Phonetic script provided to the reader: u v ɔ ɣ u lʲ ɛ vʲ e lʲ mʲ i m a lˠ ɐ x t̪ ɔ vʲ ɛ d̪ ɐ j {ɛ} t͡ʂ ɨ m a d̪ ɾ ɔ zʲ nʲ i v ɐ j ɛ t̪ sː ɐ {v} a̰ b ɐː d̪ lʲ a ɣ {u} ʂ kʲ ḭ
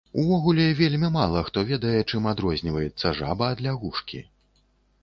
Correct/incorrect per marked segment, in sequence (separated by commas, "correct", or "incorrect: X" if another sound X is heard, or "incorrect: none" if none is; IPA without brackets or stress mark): correct, incorrect: ʐ, correct